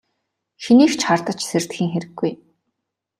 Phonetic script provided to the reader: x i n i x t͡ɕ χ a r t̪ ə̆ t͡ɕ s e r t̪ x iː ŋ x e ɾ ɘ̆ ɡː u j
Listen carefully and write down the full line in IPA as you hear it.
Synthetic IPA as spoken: x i n iː x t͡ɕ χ a r t̪ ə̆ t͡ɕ s e r t̪ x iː ŋ x e ɾ ɘ̆ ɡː u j